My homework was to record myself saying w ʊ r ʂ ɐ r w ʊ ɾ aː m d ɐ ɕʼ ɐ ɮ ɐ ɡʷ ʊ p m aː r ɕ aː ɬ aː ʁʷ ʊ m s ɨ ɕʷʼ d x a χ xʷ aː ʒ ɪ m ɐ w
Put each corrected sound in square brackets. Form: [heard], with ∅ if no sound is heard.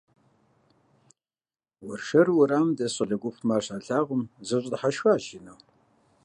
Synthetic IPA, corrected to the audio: w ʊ r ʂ ɐ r w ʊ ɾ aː m d ɐ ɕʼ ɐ ɮ ɐ ɡʷ ʊ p m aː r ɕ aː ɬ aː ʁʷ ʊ m [z] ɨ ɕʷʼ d [ħ] a [ʃ] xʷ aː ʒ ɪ [n] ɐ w